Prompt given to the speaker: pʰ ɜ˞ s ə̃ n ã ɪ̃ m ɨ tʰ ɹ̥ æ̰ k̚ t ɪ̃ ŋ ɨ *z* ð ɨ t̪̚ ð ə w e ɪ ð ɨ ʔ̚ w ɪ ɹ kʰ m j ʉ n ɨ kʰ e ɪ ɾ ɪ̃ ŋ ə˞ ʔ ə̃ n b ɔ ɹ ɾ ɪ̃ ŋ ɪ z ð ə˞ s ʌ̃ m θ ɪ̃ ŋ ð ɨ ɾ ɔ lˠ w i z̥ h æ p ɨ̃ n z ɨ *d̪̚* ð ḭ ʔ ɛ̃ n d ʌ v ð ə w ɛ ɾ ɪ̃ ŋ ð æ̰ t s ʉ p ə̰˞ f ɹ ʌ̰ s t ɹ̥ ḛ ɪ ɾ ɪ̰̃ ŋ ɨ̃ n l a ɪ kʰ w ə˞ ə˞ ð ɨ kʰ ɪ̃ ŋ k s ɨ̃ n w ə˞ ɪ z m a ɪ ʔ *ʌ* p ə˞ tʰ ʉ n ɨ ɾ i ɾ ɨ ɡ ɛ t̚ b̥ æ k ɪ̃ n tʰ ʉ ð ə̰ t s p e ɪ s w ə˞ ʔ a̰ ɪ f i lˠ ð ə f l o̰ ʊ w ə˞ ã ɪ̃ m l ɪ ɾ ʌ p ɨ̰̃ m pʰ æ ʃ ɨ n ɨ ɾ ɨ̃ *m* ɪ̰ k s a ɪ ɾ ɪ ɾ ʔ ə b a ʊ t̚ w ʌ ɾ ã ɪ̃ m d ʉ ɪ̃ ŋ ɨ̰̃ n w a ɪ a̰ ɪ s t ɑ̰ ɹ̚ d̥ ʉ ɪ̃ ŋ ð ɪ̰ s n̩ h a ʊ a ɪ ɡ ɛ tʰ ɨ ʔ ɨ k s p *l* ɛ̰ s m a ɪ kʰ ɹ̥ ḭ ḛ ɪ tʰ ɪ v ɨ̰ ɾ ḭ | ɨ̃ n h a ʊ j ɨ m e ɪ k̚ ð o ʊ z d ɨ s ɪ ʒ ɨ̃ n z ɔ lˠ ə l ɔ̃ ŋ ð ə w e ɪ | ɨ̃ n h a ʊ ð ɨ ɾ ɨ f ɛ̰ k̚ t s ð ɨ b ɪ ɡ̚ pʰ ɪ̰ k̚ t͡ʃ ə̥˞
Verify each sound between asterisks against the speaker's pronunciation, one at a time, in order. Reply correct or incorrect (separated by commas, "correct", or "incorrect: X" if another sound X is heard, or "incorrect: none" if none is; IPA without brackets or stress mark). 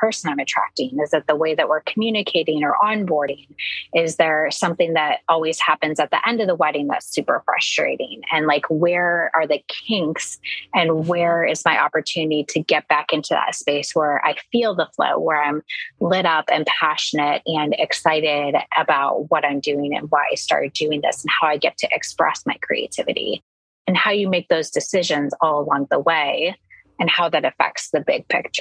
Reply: correct, incorrect: t̪̚, incorrect: ɑ, incorrect: n, incorrect: ɹ